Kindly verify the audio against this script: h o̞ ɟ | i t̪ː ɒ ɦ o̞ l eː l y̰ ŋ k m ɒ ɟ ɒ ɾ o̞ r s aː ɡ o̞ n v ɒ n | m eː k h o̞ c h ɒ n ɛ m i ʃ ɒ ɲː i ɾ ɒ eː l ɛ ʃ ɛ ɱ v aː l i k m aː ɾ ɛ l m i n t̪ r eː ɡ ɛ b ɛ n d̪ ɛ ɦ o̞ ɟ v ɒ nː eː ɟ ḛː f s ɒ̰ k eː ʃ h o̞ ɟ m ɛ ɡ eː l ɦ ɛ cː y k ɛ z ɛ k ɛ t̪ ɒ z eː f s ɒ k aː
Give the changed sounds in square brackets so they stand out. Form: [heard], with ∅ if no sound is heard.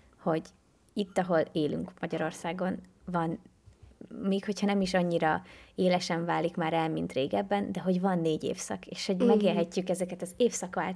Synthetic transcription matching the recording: h o̞ ɟ | i t̪ː ɒ ɦ o̞ l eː l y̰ ŋ k m ɒ ɟ ɒ ɾ o̞ r s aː ɡ o̞ n v ɒ n | m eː k h o̞ c h ɒ n ɛ m i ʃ ɒ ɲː i ɾ ɒ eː l ɛ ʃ ɛ ɱ v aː l i k m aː ɾ ɛ l m i n t̪ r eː ɡ ɛ [bː] ɛ n d̪ ɛ ɦ o̞ ɟ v ɒ nː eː ɟ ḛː f s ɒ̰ k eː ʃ h o̞ ɟ m ɛ ɡ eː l ɦ ɛ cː y k ɛ z ɛ k ɛ t̪ ɒ z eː f s ɒ k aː